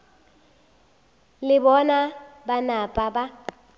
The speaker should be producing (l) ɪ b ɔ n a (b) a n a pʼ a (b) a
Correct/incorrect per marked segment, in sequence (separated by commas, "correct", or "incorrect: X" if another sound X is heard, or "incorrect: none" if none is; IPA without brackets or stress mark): correct, correct, correct